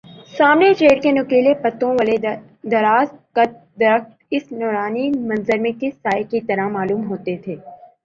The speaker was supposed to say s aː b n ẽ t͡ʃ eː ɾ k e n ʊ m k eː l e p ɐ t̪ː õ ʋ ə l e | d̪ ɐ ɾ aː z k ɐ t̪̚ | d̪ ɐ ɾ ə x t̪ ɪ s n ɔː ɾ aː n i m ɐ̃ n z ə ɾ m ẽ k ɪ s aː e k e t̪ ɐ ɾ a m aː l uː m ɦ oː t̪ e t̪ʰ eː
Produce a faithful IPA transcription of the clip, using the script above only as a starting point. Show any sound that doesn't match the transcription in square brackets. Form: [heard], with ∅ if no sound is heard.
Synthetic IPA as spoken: s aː [m] n [e] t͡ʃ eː ɾ k e n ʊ [∅] k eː l e p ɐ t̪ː õ ʋ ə l e | d̪ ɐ ɾ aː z k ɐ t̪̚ | d̪ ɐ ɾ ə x t̪ ɪ s n ɔː ɾ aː n i m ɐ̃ n z ə ɾ m ẽ k ɪ s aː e k [i] t̪ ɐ ɾ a m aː l uː m ɦ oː t̪ e t̪ʰ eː